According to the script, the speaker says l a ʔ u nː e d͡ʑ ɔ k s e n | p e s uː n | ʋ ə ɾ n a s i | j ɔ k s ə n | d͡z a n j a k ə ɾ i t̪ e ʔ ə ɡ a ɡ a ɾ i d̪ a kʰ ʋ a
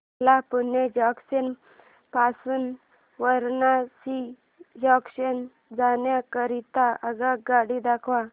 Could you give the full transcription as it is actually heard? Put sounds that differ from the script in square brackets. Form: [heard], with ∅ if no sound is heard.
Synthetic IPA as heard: l a [p] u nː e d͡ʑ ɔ k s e n | p [a] s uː n | ʋ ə ɾ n a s i | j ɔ k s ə n | d͡z a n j a k ə ɾ i t̪ [a] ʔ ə ɡ a ɡ a [ɽ] i d̪ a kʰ ʋ a